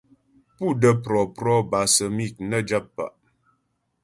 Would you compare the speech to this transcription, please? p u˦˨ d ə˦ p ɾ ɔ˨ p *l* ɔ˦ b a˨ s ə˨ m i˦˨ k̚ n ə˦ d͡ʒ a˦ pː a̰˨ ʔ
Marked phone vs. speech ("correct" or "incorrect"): incorrect